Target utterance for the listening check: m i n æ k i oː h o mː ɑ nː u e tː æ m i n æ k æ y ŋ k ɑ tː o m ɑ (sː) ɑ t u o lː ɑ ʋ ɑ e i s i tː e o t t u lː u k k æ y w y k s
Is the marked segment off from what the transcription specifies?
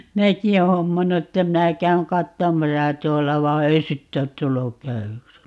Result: yes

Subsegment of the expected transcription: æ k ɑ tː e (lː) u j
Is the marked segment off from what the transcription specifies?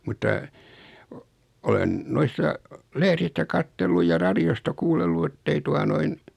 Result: no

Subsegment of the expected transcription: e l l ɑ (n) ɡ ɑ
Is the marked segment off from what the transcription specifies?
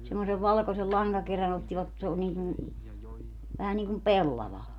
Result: yes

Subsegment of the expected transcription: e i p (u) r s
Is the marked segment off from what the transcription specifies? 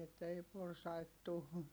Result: yes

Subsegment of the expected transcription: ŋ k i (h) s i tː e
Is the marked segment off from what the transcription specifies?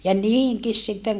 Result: yes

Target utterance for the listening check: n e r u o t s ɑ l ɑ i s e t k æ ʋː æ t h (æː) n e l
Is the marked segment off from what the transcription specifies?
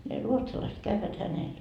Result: yes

